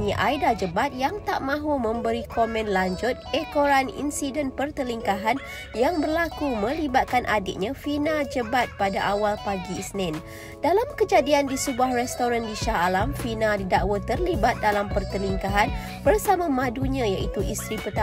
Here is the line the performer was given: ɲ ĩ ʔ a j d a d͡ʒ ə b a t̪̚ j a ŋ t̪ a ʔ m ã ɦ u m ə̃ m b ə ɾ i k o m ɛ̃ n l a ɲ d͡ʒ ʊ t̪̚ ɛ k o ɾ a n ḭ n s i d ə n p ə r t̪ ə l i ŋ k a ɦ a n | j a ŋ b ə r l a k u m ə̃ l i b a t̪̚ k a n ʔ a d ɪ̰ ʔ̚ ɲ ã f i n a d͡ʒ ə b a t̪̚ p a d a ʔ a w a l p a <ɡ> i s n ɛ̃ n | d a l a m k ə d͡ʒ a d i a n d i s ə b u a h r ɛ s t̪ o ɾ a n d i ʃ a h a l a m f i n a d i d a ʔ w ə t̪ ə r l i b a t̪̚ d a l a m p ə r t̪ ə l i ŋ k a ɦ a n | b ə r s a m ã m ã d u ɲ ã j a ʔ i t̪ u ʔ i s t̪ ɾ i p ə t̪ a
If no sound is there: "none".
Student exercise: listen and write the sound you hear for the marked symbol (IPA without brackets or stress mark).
ɡ